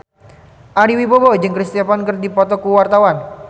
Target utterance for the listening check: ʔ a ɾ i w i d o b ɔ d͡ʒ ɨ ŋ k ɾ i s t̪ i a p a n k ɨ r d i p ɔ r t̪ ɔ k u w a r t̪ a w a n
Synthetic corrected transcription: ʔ a ɾ i w i b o b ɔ d͡ʒ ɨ ŋ k ɾ i s t̪ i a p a n k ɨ r d i p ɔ t̪ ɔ k u w a r t̪ a w a n